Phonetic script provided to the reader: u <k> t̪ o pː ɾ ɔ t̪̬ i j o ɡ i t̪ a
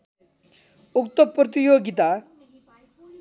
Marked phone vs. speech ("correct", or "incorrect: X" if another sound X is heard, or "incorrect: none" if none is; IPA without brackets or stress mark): correct